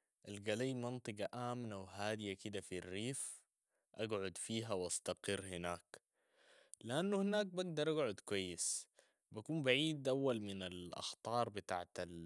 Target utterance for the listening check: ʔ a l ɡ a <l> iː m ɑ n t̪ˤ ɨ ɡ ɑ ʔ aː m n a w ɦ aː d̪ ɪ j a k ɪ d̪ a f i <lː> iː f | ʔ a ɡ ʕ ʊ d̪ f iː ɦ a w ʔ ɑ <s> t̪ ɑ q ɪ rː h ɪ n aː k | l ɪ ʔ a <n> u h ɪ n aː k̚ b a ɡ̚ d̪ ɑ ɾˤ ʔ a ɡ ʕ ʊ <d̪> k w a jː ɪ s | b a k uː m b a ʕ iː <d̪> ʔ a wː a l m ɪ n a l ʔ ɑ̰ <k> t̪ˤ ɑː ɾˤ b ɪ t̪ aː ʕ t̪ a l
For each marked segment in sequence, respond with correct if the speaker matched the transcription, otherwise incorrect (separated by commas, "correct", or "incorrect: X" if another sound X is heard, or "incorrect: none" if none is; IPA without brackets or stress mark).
correct, incorrect: rː, correct, incorrect: nː, correct, correct, incorrect: x